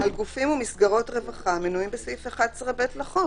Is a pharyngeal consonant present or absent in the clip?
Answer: absent